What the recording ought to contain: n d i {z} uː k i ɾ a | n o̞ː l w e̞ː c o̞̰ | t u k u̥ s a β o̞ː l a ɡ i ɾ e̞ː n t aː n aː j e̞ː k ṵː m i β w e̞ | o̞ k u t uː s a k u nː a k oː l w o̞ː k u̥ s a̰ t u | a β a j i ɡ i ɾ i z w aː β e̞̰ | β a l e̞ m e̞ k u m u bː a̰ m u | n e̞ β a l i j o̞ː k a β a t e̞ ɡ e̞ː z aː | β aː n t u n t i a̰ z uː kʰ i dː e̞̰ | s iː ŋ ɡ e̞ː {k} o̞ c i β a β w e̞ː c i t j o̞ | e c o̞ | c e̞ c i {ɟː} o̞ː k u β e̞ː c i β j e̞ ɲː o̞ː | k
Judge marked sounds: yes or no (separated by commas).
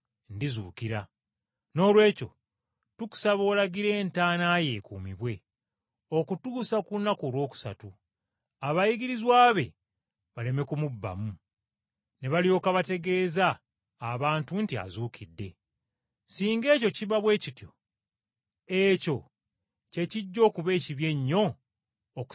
yes, no, yes